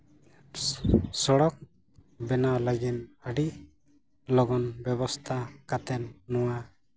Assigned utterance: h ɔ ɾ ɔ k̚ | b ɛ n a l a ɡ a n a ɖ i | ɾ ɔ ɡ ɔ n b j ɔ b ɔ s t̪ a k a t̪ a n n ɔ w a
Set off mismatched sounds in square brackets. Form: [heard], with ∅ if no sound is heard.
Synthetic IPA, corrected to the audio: [s] ɔ [ɽ] ɔ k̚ | b ɛ n a l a ɡ [i] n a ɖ i | [l] ɔ ɡ ɔ n b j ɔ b ɔ s [t̪ʰ] a k a t̪ [ɛ] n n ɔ w a